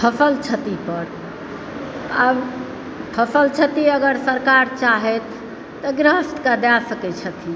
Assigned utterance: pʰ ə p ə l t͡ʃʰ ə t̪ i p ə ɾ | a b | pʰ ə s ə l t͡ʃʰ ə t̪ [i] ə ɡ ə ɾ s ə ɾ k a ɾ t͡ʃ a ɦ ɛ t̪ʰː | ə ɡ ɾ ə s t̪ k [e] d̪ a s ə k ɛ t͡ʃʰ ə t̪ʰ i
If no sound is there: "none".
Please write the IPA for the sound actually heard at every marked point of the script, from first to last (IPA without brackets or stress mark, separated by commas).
i, a